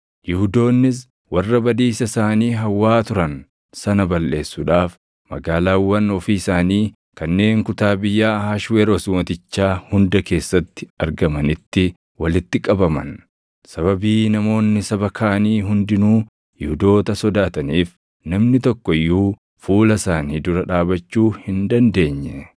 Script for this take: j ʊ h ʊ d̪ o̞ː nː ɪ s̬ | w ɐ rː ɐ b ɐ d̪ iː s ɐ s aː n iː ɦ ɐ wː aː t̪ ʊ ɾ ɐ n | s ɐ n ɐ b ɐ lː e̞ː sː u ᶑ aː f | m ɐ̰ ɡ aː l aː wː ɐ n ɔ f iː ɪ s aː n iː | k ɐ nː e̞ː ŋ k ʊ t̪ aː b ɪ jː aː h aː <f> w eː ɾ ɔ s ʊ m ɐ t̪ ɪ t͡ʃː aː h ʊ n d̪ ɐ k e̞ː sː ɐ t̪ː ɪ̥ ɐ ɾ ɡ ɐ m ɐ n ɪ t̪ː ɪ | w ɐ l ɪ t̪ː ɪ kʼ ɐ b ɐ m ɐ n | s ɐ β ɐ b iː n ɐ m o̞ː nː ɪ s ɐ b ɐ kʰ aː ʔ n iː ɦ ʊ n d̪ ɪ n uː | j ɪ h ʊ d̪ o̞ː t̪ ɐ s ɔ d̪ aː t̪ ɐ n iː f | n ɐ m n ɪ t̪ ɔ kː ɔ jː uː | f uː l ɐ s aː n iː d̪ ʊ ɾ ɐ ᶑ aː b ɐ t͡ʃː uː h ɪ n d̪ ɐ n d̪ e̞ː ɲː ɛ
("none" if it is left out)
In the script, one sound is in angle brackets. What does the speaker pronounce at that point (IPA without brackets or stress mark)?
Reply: ʃ